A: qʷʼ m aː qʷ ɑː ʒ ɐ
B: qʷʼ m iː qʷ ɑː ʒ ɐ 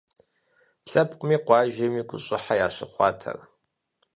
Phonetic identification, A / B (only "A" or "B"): B